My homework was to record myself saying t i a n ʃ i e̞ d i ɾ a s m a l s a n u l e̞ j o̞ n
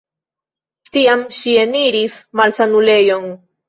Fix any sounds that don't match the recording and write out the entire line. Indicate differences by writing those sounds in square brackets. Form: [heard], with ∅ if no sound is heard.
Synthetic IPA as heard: t i a [m] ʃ i e̞ [n] i ɾ [i] s m a l s a n u l e̞ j o̞ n